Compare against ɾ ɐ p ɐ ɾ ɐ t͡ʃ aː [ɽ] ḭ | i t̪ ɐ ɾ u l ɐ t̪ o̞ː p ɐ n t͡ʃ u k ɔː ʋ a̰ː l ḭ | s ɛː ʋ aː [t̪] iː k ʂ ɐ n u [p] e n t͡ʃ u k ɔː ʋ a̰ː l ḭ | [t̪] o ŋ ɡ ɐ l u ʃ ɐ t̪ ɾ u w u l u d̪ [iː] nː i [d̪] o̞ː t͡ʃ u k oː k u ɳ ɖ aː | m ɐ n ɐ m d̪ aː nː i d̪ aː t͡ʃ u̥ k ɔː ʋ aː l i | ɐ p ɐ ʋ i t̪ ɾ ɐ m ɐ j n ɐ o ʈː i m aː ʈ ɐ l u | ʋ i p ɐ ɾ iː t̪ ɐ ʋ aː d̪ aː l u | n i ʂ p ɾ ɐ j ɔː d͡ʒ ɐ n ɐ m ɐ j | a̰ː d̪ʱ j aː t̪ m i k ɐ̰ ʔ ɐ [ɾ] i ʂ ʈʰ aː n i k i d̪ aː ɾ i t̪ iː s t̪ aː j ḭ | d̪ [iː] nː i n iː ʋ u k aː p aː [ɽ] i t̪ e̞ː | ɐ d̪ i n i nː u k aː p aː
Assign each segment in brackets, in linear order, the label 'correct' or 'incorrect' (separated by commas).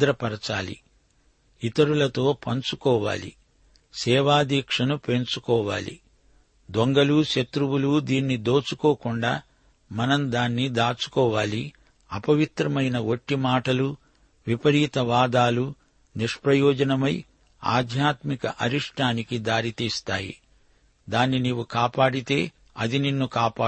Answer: incorrect, incorrect, correct, incorrect, correct, correct, correct, incorrect, correct